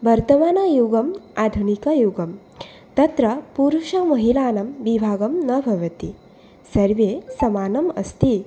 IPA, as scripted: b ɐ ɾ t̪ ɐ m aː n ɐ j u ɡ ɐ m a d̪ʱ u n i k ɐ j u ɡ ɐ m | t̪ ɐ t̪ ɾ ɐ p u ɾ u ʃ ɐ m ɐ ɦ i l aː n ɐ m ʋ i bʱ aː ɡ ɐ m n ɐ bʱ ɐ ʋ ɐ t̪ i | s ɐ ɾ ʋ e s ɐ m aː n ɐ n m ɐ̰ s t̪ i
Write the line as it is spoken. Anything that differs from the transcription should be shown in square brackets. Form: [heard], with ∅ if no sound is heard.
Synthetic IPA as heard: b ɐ ɾ t̪ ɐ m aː n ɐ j u ɡ ɐ m a d̪ʱ u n i k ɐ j u ɡ ɐ m | t̪ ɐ t̪ ɾ ɐ p u ɾ u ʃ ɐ m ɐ ɦ i l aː n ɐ m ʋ i bʱ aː ɡ ɐ m n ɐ bʱ ɐ ʋ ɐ t̪ i | s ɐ ɾ ʋ e s ɐ m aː n ɐ [∅] m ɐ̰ s t̪ i